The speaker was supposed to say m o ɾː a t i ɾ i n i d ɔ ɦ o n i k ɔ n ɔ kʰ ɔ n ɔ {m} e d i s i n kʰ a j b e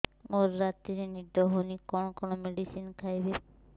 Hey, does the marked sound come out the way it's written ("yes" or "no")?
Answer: yes